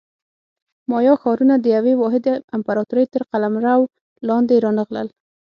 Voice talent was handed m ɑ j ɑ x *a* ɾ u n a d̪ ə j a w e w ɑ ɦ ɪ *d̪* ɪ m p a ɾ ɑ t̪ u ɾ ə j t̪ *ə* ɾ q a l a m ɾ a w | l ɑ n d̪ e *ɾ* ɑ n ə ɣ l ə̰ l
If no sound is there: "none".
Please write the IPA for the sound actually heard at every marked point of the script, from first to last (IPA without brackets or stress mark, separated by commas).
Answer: ɑ, d̪, ə, ɾ